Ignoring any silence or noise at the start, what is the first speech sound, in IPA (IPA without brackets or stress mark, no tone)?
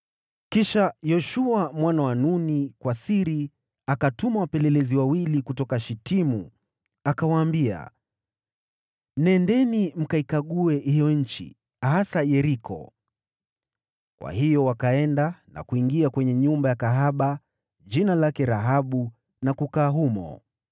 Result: k